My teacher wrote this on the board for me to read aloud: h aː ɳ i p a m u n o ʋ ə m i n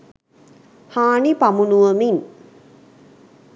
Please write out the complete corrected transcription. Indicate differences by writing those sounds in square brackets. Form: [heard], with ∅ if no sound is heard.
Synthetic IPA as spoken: h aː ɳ i p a m u n [u] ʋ ə m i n